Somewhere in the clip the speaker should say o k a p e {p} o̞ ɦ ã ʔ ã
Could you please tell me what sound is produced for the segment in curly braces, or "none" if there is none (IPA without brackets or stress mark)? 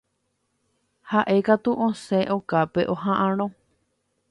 ʔ